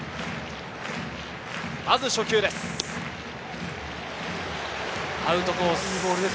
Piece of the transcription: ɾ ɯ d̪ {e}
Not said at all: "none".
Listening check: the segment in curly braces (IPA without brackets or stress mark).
e